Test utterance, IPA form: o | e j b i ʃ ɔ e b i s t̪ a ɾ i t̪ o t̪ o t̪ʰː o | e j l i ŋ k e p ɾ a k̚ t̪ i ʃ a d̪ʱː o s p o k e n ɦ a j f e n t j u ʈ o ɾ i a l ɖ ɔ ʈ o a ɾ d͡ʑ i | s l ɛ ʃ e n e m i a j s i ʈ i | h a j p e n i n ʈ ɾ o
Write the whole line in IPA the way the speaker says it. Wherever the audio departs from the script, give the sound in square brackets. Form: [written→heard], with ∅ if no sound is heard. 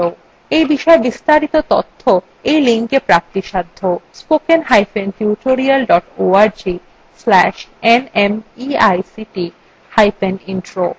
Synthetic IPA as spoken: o | e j b i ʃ ɔ e b i s t̪ a ɾ i t̪ o t̪ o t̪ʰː o | e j l i ŋ k e p ɾ a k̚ t̪ i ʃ a d̪ʱː o s p o k e n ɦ a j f e n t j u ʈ o ɾ i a l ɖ ɔ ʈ o a ɾ d͡ʑ i | s l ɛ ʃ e n e m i a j s i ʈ i | h a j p e n i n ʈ ɾ o